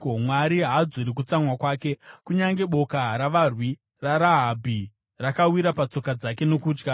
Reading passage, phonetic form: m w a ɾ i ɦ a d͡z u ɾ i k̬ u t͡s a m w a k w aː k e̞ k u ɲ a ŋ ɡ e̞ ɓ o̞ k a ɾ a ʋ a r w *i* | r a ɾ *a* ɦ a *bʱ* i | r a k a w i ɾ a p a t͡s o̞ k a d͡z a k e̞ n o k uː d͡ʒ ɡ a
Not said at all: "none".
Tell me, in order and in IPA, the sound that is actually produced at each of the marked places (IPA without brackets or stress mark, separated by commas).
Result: i, a, bʱ